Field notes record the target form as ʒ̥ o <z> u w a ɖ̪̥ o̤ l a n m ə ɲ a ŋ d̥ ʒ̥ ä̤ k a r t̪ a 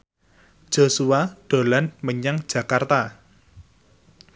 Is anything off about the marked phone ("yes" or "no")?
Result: yes